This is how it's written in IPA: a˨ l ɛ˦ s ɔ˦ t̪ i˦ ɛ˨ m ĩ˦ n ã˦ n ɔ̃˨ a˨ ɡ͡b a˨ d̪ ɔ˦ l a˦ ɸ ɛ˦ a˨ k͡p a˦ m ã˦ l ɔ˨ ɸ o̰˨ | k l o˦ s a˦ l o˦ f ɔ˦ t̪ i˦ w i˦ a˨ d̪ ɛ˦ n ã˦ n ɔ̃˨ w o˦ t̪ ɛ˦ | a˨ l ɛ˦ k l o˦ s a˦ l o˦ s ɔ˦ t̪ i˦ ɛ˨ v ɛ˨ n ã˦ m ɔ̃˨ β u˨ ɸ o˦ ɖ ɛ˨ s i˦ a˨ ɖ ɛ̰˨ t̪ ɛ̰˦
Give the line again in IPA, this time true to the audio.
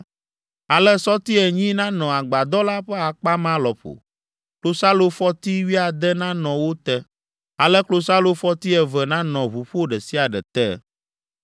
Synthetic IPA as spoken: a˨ l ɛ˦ s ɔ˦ t̪ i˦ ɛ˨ ɲ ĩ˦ n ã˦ n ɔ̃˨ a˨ ɡ͡b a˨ d̪ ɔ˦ l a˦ ɸ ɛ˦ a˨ k͡p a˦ m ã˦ l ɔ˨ ɸ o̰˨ | k l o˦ s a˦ l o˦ f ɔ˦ t̪ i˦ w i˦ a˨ d̪ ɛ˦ n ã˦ n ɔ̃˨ w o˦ t̪ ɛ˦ | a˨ l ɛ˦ k l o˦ s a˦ l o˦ f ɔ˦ t̪ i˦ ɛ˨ v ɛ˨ n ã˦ n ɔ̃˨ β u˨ ɸ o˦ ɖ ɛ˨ s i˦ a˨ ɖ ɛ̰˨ t̪ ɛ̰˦

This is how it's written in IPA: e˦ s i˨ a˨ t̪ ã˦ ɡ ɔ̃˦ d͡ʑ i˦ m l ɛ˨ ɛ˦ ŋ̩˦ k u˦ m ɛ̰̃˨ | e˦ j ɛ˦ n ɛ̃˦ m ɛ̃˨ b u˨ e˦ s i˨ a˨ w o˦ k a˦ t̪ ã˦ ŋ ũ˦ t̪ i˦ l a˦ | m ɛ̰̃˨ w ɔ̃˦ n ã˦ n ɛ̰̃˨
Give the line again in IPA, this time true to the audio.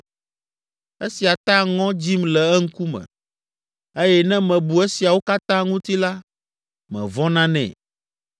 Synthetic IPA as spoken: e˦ s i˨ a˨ t̪ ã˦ ŋ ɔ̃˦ d͡ʑ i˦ m l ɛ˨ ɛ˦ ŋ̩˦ k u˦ m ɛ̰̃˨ | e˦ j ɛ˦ n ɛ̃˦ m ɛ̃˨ b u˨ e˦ s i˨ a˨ w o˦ k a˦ t̪ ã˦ ŋ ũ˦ t̪ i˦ l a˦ | m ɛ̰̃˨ v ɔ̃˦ n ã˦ n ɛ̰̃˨

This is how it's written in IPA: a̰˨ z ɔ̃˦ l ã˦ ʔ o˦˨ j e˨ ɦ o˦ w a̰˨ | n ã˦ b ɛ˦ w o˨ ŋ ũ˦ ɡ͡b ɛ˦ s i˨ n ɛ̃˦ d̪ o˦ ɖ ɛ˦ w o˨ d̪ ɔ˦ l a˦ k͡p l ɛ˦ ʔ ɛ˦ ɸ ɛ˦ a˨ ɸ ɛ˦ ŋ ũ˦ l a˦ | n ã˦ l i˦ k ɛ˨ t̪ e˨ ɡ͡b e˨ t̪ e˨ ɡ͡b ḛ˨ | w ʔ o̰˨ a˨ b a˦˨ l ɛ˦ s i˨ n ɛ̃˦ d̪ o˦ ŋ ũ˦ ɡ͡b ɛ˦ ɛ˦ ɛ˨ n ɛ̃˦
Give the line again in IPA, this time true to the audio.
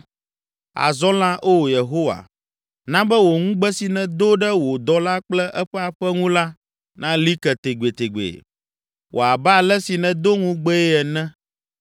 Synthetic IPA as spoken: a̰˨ z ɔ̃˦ l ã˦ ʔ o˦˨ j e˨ ɦ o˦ w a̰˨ | n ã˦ b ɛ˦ w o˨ ŋ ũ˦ ɡ͡b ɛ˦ s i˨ n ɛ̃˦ d̪ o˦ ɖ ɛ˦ w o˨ d̪ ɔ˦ l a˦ k͡p l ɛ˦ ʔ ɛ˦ ɸ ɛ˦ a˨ ɸ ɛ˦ ŋ ũ˦ l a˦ | n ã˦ l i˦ k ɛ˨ t̪ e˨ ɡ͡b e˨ t̪ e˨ ɡ͡b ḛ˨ | w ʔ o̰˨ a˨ b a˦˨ l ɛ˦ s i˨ n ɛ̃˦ d̪ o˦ ŋ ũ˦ ɡ͡b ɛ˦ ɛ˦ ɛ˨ n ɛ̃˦

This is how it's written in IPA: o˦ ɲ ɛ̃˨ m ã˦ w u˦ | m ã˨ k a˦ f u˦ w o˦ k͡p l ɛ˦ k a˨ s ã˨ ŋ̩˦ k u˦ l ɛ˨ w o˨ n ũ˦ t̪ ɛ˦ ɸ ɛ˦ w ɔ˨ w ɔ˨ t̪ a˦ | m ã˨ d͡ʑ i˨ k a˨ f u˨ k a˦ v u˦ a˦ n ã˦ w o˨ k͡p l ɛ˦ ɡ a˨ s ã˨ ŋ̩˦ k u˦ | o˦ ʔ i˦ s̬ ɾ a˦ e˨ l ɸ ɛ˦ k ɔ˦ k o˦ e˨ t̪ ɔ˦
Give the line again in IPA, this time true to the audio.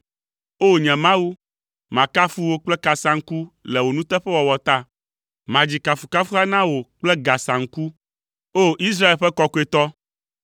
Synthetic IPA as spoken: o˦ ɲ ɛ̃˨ m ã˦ w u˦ | m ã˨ k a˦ f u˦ w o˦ k͡p l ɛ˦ k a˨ s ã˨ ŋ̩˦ k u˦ l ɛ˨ w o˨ n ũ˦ t̪ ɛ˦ ɸ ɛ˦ w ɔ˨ w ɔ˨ t̪ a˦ | m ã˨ d͡ʑ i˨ k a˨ f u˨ k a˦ f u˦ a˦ n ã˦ w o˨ k͡p l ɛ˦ ɡ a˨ s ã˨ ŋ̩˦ k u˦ | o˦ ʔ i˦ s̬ ɾ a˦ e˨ l ɸ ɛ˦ k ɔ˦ k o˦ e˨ t̪ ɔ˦

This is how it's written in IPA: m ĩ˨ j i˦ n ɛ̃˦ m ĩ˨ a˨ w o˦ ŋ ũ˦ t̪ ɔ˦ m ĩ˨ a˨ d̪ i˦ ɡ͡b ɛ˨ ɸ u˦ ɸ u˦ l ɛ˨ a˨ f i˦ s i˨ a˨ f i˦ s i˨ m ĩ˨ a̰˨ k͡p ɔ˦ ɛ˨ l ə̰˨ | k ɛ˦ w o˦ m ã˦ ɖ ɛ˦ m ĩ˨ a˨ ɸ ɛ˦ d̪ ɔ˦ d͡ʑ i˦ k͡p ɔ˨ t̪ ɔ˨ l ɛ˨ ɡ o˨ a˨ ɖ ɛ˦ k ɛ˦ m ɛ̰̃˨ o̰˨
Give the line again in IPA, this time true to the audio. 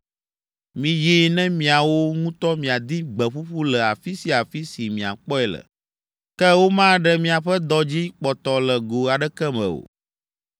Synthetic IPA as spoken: m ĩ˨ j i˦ n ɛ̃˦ m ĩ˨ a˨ w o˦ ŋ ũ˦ t̪ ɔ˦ m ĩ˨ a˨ d̪ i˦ ɡ͡b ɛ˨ ɸ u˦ ɸ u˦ l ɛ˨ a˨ f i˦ s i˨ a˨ f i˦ s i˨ m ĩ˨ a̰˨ k͡p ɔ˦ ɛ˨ l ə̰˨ | k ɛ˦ w o˦ m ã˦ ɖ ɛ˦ m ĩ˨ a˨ ɸ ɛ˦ d̪ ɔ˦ d͡ʑ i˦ k͡p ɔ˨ t̪ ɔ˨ l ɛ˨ ɡ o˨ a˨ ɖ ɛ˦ k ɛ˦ m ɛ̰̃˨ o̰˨

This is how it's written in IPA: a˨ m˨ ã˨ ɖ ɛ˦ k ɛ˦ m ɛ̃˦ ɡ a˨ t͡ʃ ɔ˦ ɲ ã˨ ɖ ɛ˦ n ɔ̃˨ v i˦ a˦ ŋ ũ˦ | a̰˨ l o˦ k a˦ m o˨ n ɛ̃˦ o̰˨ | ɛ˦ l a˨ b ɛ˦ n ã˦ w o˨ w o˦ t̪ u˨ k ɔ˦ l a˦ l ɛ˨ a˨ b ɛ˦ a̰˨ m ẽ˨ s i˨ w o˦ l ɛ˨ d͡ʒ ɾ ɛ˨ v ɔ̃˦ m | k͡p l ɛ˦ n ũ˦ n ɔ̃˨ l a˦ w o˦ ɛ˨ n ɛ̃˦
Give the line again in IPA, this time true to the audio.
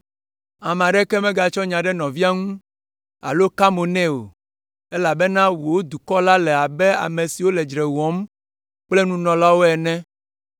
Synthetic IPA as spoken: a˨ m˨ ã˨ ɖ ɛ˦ k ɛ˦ m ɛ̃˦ ɡ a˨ t͡ʃ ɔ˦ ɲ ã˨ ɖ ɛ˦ n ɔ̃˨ v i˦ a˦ ŋ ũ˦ | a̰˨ l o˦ k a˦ m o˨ n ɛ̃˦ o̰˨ | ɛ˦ l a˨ b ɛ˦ n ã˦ w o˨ w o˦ d̪ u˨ k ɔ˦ l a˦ l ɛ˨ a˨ b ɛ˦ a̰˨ m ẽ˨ s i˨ w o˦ l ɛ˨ d͡ʒ ɾ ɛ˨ w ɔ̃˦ m | k͡p l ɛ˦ n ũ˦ n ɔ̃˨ l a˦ w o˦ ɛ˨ n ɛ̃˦

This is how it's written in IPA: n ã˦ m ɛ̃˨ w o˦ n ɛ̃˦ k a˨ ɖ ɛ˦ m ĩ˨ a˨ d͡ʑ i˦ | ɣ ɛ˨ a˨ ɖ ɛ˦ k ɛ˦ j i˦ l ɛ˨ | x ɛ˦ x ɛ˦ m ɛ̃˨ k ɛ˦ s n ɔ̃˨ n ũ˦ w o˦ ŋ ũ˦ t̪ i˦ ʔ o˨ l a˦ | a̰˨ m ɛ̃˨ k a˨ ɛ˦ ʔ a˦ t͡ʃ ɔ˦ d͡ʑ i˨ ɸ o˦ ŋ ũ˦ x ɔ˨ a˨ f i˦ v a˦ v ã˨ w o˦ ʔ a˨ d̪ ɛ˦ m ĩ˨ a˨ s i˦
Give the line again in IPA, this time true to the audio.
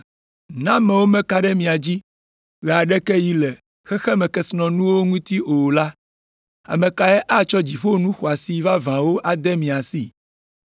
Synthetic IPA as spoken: n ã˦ m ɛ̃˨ w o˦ m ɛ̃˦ k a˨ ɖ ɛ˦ m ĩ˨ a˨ d͡ʑ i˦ | ɣ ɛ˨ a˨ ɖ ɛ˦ k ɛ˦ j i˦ l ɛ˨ | x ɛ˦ x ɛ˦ m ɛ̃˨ k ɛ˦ s n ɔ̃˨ n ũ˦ w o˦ ŋ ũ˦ t̪ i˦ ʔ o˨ l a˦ | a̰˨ m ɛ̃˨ k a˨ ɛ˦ ʔ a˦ t͡ʃ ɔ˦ d͡ʑ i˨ ɸ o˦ n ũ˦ x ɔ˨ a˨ s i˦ v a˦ v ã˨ w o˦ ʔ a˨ d̪ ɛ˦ m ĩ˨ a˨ s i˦

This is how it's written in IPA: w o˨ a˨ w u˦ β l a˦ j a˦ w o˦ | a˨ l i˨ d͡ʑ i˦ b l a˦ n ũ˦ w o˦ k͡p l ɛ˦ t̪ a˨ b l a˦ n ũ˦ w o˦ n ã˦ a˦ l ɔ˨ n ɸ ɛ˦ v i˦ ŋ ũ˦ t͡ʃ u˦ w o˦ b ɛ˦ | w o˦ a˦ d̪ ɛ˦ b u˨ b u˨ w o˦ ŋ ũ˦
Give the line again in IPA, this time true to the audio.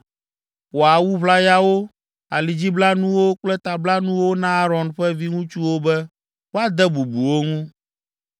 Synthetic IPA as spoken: w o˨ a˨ w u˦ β l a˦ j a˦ w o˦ | a˨ l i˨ d͡ʑ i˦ b l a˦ n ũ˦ w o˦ k͡p l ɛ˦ t̪ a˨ b l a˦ n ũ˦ w o˦ n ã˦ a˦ ɾ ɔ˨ n ɸ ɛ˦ v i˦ ŋ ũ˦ t͡ʃ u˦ w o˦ b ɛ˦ | w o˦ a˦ d̪ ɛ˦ b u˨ b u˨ w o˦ ŋ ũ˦

